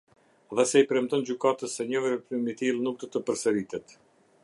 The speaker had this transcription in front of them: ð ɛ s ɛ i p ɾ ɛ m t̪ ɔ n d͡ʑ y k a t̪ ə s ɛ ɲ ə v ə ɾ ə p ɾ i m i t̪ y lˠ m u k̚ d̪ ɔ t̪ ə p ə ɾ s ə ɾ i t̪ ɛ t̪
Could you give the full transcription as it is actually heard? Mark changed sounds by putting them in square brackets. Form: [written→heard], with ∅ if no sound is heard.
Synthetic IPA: ð ɛ s ɛ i p ɾ ɛ m t̪ ɔ n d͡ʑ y k a t̪ ə s ɛ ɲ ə v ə ɾ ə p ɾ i m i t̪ [y→i] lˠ [m→n] u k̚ d̪ ɔ t̪ ə p ə ɾ s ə ɾ i t̪ ɛ t̪